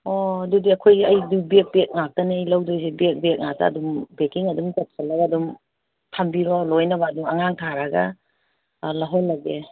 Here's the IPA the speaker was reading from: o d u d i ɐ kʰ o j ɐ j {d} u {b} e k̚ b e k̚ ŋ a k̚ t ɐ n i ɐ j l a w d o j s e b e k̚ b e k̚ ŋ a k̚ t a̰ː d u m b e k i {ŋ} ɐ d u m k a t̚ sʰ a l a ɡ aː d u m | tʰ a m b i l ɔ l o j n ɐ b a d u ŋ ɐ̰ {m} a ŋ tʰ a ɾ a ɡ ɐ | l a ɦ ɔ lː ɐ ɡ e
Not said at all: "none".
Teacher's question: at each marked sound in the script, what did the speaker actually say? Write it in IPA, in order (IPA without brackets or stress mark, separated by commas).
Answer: d, b, ŋ, ŋ